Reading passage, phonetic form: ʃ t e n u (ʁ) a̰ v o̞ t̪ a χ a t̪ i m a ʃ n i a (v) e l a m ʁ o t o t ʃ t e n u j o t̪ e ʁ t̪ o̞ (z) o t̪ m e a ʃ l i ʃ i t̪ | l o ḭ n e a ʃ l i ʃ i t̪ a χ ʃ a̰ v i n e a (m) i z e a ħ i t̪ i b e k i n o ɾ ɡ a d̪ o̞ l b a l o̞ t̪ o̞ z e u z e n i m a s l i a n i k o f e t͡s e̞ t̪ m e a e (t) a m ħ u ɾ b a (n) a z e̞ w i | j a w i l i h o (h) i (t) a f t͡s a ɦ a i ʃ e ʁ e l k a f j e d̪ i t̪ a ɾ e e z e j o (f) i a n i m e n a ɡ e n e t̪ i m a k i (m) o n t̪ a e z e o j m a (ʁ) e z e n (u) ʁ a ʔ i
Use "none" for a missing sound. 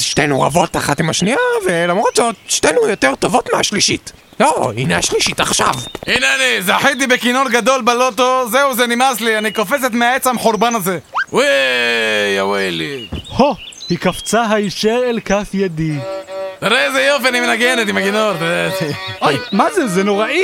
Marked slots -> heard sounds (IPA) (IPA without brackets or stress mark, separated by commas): ʁ, v, v, n, t͡s, n, h, k, f, n, z, o